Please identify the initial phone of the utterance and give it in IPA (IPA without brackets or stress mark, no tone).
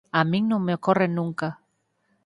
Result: a